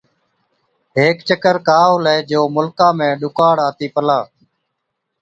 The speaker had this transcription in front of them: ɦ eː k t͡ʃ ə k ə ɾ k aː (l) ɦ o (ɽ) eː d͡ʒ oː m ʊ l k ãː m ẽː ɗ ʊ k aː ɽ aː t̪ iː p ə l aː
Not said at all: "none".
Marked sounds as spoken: none, l

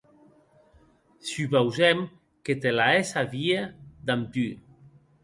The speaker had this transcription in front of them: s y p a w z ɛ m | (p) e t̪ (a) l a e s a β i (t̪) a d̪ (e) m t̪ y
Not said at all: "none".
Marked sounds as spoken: k, e, none, a

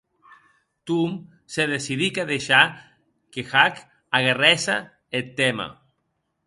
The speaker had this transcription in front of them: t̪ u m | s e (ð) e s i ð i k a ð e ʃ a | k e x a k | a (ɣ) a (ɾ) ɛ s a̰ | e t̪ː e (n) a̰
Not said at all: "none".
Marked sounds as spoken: ð, ɣ, r, m

